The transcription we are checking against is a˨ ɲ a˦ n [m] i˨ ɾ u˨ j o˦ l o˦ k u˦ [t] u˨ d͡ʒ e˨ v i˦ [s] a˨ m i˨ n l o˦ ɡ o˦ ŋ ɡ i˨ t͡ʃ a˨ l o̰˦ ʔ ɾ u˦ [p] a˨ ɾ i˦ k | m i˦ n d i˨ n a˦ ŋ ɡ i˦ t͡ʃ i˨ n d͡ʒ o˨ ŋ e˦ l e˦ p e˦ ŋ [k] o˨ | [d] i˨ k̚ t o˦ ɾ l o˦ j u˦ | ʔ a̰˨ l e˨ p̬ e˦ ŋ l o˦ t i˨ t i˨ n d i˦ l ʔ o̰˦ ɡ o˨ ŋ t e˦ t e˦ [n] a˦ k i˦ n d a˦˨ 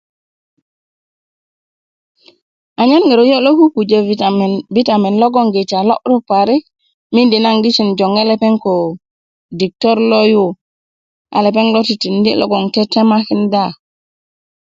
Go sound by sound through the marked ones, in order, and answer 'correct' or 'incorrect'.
incorrect: ŋ, incorrect: k, incorrect: t, correct, correct, correct, incorrect: m

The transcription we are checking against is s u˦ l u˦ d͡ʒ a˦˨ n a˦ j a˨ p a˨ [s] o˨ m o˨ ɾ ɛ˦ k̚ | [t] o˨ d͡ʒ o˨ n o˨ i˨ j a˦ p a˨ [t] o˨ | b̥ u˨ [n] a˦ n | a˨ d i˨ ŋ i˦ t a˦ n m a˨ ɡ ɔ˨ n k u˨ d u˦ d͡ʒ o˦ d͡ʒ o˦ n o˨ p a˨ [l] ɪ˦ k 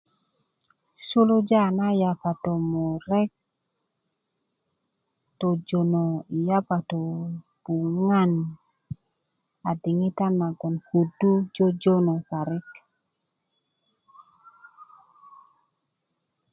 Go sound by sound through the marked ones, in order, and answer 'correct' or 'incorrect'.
incorrect: t, correct, correct, incorrect: ŋ, incorrect: ɾ

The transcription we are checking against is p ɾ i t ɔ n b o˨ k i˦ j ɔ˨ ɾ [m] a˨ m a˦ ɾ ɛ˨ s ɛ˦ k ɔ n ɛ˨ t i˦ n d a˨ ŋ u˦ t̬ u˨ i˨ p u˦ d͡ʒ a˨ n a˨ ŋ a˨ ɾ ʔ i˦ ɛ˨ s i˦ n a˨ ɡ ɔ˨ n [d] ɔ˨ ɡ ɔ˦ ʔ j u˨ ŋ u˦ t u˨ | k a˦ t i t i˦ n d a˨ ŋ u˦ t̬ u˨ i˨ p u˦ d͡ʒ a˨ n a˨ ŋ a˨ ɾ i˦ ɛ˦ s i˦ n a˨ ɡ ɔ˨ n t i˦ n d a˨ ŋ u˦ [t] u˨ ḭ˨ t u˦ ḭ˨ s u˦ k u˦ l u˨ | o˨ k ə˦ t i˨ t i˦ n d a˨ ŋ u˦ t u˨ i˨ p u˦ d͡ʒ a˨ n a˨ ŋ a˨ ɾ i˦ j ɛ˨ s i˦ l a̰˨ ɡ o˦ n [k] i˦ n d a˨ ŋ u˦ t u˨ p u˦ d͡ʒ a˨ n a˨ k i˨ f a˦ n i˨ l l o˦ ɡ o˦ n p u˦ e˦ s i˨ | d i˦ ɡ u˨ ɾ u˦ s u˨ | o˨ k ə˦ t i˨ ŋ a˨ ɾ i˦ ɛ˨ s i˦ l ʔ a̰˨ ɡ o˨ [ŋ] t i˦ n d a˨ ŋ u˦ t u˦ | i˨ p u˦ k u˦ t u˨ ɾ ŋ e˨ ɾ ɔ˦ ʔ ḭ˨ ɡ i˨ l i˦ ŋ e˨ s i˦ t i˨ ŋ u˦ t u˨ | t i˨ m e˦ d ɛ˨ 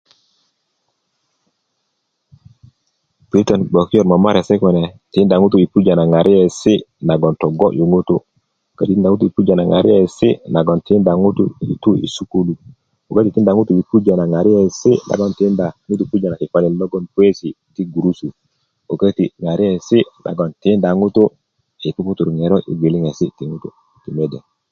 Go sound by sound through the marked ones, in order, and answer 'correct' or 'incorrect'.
correct, incorrect: t, correct, incorrect: t, incorrect: n

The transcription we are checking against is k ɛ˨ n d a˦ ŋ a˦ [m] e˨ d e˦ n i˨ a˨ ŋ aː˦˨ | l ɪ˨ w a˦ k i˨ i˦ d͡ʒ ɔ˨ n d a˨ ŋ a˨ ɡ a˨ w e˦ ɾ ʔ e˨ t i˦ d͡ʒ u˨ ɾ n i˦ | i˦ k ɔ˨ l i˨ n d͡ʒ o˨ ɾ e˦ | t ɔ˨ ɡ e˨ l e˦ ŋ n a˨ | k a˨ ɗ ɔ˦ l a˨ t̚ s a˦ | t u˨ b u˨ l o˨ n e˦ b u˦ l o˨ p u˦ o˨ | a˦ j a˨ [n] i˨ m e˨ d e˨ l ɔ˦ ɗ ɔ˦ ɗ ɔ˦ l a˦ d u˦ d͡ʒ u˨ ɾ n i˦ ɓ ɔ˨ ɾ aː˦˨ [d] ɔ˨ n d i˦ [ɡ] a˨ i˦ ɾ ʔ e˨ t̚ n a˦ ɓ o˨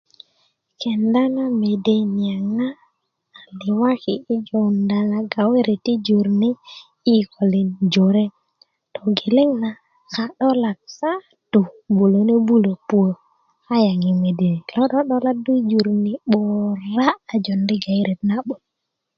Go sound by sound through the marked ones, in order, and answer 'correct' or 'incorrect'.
correct, incorrect: ŋ, incorrect: d͡ʒ, correct

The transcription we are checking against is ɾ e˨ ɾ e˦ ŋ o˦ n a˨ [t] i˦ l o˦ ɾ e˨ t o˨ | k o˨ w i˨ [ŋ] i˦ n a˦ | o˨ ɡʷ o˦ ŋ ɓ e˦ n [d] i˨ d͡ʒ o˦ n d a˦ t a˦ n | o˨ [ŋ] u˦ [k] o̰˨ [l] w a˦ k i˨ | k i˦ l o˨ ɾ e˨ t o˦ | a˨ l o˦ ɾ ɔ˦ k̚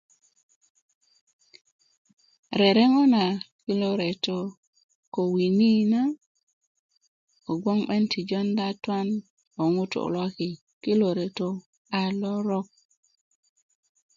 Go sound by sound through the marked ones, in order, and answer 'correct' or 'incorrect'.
incorrect: k, incorrect: n, incorrect: t, correct, incorrect: t, correct

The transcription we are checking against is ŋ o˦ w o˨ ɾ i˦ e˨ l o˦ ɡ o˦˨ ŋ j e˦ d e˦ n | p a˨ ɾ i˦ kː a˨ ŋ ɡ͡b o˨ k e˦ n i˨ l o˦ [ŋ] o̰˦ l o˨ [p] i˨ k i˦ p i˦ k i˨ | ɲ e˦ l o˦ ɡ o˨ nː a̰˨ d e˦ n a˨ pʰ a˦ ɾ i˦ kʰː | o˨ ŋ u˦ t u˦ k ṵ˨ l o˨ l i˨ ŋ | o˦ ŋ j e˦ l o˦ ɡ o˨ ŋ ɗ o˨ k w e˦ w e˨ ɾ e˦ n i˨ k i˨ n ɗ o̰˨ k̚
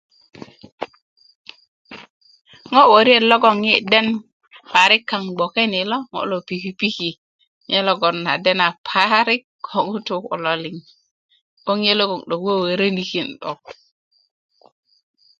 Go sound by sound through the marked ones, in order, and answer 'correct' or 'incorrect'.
correct, correct

